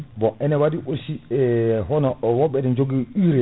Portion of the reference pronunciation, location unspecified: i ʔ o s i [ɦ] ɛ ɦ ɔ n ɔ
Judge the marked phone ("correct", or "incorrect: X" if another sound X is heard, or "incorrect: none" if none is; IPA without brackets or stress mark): incorrect: none